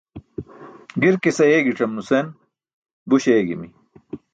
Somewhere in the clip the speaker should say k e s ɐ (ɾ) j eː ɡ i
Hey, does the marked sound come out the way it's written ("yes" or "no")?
no